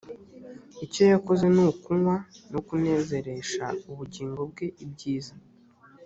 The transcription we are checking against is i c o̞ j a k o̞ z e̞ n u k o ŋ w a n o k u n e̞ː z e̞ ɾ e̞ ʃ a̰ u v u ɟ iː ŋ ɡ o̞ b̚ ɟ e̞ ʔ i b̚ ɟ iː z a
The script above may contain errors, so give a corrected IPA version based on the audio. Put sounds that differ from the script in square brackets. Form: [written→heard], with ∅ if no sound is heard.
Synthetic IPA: i c o̞ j a k o̞ z e̞ n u k [o→u] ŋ w a n o k u n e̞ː z e̞ ɾ e̞ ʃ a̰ u [v→β] u ɟ iː ŋ ɡ o̞ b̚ [ɟ→ɡ] e̞ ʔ i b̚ ɟ iː z a